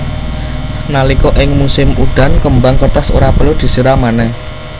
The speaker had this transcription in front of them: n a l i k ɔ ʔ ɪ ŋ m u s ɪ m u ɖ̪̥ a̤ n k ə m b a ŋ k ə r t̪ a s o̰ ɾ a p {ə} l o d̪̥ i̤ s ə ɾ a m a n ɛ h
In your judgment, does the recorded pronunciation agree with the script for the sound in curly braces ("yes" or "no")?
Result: yes